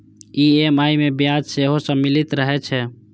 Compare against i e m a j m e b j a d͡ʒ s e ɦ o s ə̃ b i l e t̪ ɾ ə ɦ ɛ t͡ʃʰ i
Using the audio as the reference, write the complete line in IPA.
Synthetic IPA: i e m a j m e b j a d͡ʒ s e ɦ o s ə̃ m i l i t̪ ɾ ə ɦ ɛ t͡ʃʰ ɛ